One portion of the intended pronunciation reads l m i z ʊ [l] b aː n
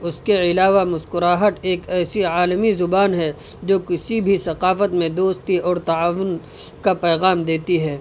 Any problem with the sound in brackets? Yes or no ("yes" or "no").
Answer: yes